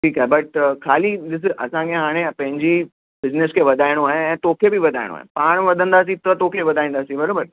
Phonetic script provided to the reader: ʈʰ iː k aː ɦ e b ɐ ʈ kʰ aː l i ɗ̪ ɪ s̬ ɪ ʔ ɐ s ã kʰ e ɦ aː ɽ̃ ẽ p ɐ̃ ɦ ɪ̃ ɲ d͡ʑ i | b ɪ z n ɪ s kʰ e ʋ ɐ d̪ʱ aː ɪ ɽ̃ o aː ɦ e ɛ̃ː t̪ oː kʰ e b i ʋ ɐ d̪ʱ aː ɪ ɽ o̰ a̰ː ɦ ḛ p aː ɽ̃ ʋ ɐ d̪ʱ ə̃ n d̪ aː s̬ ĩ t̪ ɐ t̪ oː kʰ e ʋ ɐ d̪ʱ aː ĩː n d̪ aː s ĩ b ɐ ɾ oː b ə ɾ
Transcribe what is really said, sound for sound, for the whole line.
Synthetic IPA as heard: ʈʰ iː k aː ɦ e b ɐ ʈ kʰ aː l i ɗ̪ ɪ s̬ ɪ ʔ ɐ s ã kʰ e ɦ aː ɽ̃ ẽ p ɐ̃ ɦ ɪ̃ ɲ d͡ʑ i | b ɪ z n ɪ s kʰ e ʋ ɐ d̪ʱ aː ɪ ɽ̃ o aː ɦ e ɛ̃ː t̪ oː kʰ e b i ʋ ɐ d̪ʱ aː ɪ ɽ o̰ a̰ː ɦ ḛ p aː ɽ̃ ʋ ɐ d̪ʱ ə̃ n d̪ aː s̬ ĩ t̪ ɐ t̪ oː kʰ e ʋ ɐ d̪ʱ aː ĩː n d̪ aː s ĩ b ɐ ɾ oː b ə ɾ